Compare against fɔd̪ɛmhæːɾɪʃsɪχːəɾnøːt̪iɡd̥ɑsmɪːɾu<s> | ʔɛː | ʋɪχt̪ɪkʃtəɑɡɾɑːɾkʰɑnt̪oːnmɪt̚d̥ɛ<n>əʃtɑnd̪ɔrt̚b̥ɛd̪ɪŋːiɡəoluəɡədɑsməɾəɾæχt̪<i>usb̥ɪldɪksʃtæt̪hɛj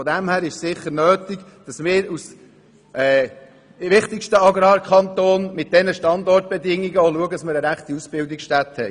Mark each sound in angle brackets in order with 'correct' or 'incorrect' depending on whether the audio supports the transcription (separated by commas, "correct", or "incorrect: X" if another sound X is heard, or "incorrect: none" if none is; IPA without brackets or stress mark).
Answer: correct, correct, correct